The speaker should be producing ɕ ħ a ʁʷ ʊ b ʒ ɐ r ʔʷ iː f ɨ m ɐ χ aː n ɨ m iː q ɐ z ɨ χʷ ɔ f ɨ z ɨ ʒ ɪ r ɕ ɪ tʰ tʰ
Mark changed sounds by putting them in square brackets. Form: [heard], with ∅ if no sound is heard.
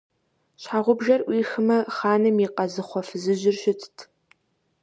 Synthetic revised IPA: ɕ ħ a ʁʷ ʊ b ʒ ɐ r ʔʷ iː [x] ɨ m ɐ χ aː n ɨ m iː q ɐ z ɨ χʷ ɔ f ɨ z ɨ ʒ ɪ r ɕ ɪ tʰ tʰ

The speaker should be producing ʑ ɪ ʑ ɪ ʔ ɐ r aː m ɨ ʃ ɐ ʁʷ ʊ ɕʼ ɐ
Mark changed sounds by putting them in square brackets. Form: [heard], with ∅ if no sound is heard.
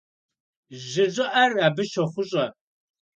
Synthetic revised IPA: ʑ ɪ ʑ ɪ ʔ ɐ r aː [b] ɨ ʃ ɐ [χʷ] ʊ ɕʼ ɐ

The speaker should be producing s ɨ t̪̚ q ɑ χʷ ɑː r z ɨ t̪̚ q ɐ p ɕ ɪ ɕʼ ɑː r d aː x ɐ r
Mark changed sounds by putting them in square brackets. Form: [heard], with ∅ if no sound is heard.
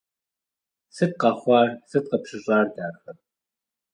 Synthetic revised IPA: s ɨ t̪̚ q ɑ χʷ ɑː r [s] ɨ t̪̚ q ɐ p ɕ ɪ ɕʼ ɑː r d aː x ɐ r

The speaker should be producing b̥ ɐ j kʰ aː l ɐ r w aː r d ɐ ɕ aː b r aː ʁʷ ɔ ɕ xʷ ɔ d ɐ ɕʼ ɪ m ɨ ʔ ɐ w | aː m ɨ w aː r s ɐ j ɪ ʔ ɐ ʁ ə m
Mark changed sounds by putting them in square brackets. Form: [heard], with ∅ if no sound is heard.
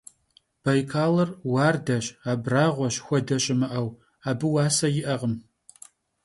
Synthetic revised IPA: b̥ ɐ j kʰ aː l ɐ r w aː r d ɐ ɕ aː b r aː ʁʷ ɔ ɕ xʷ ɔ d ɐ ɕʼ ɪ m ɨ ʔ ɐ w | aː [b] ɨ w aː [∅] s ɐ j ɪ ʔ ɐ ʁ ə m

